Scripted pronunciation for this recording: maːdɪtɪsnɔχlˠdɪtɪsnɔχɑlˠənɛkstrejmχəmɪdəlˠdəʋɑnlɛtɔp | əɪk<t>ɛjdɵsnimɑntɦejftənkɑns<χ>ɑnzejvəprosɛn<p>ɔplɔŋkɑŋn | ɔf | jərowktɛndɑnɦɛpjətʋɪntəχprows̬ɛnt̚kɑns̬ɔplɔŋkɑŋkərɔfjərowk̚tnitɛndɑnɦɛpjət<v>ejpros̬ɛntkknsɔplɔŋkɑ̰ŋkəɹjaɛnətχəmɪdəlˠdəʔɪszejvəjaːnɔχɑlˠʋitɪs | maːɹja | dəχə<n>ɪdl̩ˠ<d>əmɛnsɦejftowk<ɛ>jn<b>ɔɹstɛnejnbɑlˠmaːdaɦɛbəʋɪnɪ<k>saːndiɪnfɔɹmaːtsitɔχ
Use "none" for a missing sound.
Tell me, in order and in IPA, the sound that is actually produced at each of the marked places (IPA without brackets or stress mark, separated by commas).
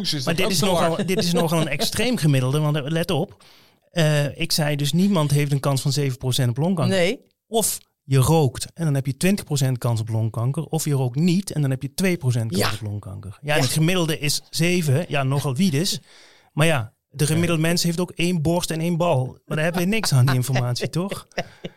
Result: s, f, t, ʋ, m, d, e, b, k